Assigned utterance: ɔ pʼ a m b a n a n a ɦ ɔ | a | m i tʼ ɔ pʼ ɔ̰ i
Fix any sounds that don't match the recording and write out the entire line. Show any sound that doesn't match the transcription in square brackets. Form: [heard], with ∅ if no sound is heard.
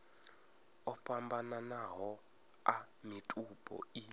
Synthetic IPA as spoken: ɔ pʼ a m b a n a n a ɦ ɔ | a | m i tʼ [u] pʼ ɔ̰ i